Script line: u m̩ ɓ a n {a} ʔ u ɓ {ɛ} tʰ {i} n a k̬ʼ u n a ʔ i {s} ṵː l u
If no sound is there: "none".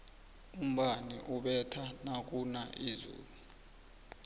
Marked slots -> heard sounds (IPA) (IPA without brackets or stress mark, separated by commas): i, ɛ, a, z